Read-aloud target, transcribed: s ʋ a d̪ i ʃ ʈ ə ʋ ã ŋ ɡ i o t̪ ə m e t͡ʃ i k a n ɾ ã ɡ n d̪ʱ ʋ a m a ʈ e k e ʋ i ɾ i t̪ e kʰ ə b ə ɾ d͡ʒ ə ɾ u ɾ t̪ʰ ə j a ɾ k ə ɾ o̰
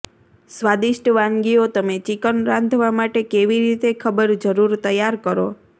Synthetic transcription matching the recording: s ʋ a d̪ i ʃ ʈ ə ʋ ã ŋ ɡ i o t̪ ə m e t͡ʃ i k ə n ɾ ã n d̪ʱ ʋ a m a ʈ e k e ʋ i ɾ i t̪ e kʰ ə b ə ɾ d͡ʒ ə ɾ u ɾ t̪ ə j a ɾ k ə ɾ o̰